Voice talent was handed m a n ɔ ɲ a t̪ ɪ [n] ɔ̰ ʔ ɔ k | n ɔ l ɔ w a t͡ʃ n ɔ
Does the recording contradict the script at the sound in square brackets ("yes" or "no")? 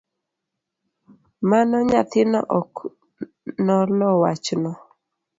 no